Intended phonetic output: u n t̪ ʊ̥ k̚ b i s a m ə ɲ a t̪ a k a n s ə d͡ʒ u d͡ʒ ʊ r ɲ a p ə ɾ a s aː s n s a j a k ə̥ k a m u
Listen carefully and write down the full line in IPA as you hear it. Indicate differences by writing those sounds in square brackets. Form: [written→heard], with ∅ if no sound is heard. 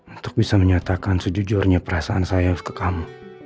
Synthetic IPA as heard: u n t̪ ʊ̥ k̚ b i s a m ə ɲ a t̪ a k a n s ə d͡ʒ u d͡ʒ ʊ r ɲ a p ə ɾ a s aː [s→∅] n s a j a k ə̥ k a m u